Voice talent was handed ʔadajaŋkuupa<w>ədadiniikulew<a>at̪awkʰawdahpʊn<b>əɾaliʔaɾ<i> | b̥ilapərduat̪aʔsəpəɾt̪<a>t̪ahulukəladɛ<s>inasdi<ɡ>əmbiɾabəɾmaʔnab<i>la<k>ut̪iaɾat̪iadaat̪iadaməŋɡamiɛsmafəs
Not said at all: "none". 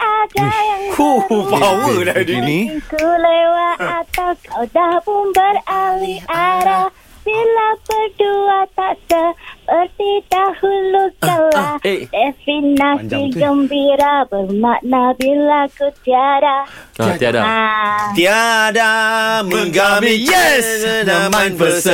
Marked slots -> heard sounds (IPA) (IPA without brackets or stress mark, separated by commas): w, a, b, a, i, f, ɡ, i, k